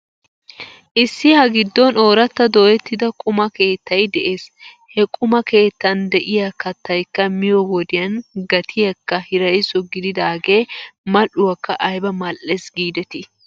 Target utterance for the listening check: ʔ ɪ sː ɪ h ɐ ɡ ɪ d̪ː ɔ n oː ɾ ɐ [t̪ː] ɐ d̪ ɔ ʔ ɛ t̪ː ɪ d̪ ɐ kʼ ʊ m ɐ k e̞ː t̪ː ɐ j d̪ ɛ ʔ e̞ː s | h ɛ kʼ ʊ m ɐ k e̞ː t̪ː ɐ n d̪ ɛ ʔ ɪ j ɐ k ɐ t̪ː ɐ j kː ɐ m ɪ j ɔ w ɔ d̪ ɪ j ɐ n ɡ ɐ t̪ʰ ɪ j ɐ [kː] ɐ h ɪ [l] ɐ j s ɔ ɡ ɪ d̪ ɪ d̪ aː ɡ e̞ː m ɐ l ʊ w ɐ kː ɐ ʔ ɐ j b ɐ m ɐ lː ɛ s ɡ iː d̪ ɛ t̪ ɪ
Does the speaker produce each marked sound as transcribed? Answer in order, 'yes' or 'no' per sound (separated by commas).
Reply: yes, yes, no